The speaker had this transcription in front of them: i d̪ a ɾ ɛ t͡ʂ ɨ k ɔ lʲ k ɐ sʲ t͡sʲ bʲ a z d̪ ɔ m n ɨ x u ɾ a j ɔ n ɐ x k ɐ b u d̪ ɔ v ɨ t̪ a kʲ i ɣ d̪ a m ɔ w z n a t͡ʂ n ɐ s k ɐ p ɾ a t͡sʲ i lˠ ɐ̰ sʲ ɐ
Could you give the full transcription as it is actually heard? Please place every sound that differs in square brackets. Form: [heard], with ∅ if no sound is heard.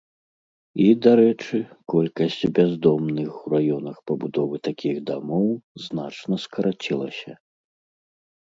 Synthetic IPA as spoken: i d̪ a ɾ ɛ t͡ʂ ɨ k ɔ lʲ k ɐ sʲ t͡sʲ bʲ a z d̪ ɔ m n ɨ x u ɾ a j ɔ n ɐ x [p] ɐ b u d̪ ɔ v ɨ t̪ a kʲ i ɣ d̪ a m ɔ w z n a t͡ʂ n ɐ s k ɐ [∅] ɾ a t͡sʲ i lˠ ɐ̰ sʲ ɐ